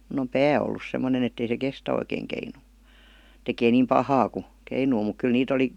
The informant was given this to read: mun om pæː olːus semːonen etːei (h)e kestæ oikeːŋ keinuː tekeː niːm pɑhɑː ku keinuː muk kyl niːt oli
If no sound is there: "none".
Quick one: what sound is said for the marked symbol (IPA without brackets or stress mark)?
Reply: s